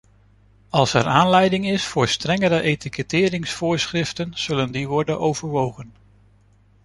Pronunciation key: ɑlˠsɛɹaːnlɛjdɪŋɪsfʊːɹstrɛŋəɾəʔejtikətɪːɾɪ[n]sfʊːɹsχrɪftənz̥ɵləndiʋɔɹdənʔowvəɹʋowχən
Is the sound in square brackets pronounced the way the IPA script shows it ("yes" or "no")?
no